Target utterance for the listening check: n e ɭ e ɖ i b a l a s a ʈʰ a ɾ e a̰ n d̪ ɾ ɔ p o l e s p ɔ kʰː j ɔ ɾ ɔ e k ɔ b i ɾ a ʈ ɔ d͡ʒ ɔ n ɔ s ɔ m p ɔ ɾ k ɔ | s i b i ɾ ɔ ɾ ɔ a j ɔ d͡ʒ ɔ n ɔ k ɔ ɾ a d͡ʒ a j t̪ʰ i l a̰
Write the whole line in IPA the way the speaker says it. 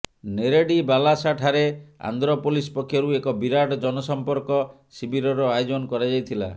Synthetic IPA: n e ɾ e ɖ i b a l a s a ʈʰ a ɾ e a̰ n d̪ ɾ ɔ p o l i s p ɔ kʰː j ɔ ɾ u e k ɔ b i ɾ a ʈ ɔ d͡ʒ ɔ n ɔ s ɔ m p ɔ ɾ k ɔ | s i b i ɾ ɔ ɾ ɔ a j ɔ d͡ʒ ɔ n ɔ k ɔ ɾ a d͡ʒ a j t̪ʰ i l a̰